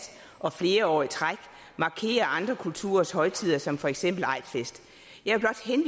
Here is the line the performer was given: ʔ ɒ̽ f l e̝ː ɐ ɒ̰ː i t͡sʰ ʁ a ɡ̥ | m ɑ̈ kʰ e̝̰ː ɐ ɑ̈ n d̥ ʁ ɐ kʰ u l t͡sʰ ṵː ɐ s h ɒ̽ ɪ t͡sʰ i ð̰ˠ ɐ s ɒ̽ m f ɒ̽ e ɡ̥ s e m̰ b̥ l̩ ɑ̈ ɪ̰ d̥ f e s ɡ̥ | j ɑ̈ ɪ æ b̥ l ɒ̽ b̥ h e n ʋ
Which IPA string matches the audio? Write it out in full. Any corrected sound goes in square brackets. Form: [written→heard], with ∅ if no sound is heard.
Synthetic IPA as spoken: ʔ ɒ̽ f l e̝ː ɐ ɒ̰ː i t͡sʰ ʁ a ɡ̥ | m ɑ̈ kʰ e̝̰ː ɐ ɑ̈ n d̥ ʁ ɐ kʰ u l t͡sʰ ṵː ɐ s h ɒ̽ ɪ t͡sʰ i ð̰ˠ ɐ s ɒ̽ m f ɒ̽ e ɡ̥ s e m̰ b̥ l̩ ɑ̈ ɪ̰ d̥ f e s [ɡ̥→d̥] | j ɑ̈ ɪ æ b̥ l ɒ̽ [b̥→d̥] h e n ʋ